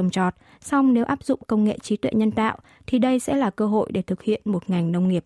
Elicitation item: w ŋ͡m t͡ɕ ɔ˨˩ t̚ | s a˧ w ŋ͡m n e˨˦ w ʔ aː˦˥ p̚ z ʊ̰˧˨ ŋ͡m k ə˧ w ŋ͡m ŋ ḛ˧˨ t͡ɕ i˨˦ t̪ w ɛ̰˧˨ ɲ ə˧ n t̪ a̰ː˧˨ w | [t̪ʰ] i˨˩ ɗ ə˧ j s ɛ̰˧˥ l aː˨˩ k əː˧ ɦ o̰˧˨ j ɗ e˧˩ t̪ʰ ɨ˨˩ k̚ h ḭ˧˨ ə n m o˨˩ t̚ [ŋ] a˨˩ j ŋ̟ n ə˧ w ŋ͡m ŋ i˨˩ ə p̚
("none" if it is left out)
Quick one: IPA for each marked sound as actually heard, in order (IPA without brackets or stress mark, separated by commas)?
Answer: t̪ʰ, ŋ